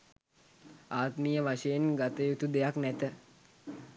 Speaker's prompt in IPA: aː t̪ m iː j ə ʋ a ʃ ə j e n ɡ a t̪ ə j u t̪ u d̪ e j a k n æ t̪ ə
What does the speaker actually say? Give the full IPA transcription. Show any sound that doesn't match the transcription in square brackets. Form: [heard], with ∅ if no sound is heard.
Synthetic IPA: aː t̪ m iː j ə ʋ a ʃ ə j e n ɡ a t̪ ə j u t̪ u d̪ e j a k n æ t̪ ə

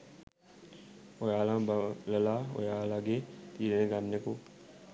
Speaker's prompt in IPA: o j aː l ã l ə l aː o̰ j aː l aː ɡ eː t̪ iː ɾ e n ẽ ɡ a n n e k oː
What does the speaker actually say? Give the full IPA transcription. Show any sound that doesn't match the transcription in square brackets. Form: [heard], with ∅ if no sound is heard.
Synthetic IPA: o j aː l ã l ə l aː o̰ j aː l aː ɡ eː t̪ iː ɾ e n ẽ ɡ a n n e k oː

